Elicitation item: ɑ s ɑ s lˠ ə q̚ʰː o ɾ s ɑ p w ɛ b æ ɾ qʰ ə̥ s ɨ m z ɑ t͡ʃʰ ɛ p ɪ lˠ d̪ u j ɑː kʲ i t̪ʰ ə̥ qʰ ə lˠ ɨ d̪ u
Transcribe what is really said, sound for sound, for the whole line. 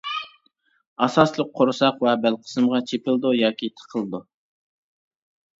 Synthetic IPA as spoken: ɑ s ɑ s lˠ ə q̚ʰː o ɾ s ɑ q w ɛ b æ l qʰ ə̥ s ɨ m ʁ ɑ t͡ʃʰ e p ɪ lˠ d̪ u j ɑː kʲ i t̪ʰ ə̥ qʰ ə lˠ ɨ d̪ u